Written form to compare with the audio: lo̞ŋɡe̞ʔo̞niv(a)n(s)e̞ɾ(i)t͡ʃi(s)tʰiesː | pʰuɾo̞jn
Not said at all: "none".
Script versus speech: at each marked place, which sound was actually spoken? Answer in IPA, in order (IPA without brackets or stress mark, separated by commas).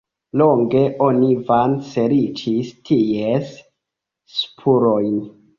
a, s, i, s